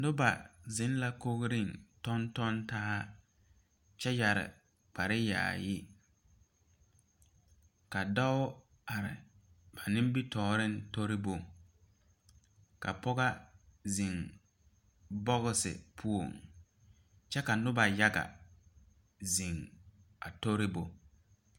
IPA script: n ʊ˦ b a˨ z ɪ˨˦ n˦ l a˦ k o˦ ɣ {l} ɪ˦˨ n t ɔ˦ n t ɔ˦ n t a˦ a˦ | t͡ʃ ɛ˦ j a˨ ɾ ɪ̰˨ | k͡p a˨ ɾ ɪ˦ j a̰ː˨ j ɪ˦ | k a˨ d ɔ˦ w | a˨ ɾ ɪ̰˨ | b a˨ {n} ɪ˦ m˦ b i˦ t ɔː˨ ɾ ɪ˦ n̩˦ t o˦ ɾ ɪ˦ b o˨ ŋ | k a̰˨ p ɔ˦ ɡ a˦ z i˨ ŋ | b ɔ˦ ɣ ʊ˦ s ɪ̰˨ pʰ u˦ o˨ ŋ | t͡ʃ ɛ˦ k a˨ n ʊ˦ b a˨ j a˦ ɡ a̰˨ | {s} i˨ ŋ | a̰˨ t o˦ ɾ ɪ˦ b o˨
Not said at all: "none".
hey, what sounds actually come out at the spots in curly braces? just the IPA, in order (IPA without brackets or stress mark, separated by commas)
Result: ɾ, n, z